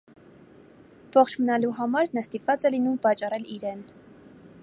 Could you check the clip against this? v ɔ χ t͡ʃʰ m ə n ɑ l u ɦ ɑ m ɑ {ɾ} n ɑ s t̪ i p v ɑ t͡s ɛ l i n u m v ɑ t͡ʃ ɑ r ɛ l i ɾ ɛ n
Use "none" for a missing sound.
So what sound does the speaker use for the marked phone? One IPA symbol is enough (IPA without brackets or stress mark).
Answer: ɾ